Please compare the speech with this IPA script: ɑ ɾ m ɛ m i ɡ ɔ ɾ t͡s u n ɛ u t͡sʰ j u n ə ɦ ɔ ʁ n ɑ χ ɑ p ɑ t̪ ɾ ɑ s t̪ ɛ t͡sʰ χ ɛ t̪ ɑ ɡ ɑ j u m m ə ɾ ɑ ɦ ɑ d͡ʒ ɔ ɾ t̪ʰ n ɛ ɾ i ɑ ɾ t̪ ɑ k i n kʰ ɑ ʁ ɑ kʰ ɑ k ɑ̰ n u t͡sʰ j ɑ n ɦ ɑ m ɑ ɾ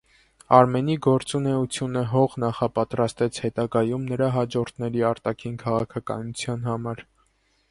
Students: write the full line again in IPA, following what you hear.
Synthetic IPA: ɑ ɾ m ɛ n i ɡ ɔ ɾ t͡s u n ɛ u t͡sʰ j u n ə ɦ ɔ ʁ n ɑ χ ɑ p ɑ t̪ ɾ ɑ s t̪ ɛ t͡sʰ h ɛ t̪ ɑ ɡ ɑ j u m n ə ɾ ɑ ɦ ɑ d͡ʒ ɔ ɾ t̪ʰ n ɛ ɾ i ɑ ɾ t̪ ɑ kʰ i n kʰ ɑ ʁ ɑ kʰ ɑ k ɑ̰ n u t͡sʰ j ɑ n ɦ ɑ m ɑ ɾ